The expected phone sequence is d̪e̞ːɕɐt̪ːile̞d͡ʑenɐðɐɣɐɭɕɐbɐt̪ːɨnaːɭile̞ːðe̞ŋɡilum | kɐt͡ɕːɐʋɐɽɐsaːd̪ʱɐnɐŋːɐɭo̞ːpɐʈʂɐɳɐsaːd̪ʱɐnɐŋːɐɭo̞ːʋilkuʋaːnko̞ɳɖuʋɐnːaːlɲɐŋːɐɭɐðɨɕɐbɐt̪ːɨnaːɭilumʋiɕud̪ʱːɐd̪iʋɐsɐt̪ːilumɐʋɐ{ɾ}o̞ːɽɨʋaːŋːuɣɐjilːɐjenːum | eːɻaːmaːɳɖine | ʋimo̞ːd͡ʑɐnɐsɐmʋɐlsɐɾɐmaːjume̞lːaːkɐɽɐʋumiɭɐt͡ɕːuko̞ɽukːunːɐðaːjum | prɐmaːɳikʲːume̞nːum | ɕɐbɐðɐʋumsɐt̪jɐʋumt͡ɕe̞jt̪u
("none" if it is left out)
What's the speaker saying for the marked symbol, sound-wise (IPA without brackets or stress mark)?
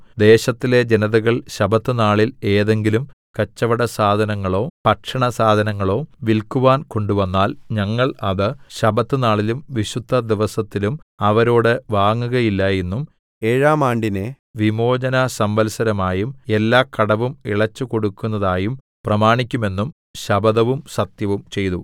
ɾ